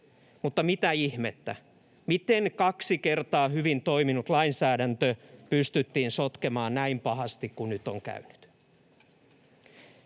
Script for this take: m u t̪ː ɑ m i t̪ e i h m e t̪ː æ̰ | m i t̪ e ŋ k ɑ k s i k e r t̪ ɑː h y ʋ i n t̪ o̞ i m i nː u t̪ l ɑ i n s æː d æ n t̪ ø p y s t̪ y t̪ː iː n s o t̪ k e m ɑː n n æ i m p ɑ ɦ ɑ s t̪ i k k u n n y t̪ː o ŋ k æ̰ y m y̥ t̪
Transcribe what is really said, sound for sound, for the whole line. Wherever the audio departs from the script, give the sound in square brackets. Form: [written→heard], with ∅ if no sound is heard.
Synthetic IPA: m u t̪ː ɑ m i t̪ [e→æ] i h m e t̪ː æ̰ | m i t̪ e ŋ k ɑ k s i k e r t̪ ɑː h y ʋ i n t̪ o̞ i m i [nː→n] u t̪ l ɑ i n s æː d æ n t̪ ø p y s t̪ y t̪ː iː n s o t̪ k e m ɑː n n æ i m p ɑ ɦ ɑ s t̪ i k k u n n y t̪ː o ŋ k æ̰ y [m→n] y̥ t̪